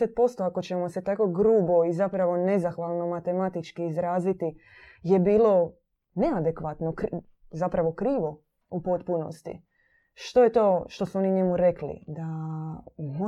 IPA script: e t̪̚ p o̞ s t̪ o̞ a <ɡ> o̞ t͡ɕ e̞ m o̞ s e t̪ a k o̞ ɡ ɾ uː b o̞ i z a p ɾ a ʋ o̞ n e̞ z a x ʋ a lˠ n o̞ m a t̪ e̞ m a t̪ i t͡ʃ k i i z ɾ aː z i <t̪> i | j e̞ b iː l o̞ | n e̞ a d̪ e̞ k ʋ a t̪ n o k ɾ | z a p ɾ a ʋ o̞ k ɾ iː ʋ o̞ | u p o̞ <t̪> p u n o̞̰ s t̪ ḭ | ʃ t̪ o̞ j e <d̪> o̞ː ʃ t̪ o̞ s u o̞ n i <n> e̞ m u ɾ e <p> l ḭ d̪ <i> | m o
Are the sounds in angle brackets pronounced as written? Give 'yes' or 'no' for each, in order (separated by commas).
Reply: no, yes, yes, no, no, no, no